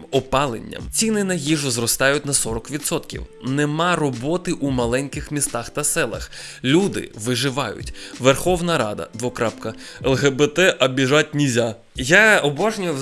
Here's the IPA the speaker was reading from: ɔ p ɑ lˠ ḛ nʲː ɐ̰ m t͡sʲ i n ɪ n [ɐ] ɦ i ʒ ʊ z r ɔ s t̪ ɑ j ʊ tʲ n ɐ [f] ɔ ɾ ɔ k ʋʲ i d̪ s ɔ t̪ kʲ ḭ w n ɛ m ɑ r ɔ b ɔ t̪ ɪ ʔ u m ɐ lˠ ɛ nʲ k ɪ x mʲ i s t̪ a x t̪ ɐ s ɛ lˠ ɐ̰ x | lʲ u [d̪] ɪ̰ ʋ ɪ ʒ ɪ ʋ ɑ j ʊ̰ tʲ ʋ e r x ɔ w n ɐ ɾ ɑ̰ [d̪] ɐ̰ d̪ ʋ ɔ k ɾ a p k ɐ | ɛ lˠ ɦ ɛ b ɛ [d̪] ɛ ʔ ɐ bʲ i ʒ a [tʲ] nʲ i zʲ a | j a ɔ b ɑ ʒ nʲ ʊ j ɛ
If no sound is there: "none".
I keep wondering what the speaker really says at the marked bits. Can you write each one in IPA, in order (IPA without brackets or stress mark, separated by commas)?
ɐ, s, d̪, d̪, t̪, tʲ